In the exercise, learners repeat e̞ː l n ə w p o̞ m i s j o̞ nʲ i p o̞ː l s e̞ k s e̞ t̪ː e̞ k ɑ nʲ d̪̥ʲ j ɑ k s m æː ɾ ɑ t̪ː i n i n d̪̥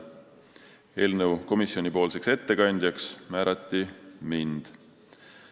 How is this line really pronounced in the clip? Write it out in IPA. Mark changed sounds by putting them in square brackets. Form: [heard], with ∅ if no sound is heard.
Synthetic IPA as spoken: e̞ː l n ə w [k] o̞ m i s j o̞ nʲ i p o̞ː l s e̞ k s e̞ t̪ː e̞ k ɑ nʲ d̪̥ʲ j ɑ k s m æː ɾ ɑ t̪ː i [m] i n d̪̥